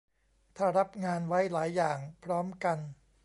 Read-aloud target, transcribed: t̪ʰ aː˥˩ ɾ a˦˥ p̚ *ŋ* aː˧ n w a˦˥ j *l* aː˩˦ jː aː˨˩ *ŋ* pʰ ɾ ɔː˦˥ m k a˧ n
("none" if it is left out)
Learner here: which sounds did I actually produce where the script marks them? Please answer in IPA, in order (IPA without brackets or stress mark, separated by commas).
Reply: ŋ, l, ŋ